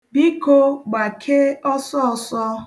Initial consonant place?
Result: labial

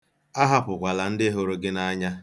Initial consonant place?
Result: glottal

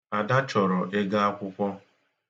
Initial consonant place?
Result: alveolar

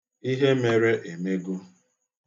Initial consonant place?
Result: glottal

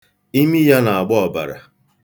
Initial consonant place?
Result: labial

